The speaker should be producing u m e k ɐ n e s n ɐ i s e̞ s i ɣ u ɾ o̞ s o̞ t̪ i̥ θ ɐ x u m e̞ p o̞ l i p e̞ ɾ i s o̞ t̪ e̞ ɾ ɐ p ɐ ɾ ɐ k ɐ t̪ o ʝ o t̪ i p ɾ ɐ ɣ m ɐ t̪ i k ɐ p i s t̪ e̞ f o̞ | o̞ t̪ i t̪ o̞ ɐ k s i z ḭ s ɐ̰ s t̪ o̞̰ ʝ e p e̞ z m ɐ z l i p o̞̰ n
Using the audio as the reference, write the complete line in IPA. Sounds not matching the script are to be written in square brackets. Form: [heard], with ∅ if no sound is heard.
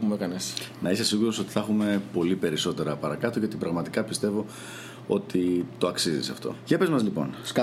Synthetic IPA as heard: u m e k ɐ n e s n ɐ i s e̞ s i ɣ u ɾ o̞ s o̞ t̪ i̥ θ ɐ x u m e̞ p o̞ l i p e̞ ɾ i s o̞ t̪ e̞ ɾ ɐ p ɐ ɾ ɐ k ɐ t̪ o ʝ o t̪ i p ɾ ɐ ɣ m ɐ t̪ i k ɐ p i s t̪ e̞ [v] o̞ | o̞ t̪ i t̪ o̞ ɐ k s i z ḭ s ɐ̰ [f] t̪ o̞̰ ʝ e p e̞ z m ɐ z l i p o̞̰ n